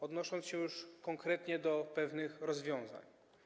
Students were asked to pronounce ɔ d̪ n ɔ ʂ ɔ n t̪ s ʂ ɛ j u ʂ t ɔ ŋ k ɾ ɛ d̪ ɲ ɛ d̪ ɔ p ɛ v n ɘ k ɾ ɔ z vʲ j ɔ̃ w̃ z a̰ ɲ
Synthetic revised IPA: ɔ d̪ n ɔ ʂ ɔ n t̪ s ɕ ɛ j u ʂ k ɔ ŋ k ɾ ɛ t̪ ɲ ɛ d̪ ɔ p ɛ v n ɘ x ɾ ɔ z vʲ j ɔ̃ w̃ z a̰ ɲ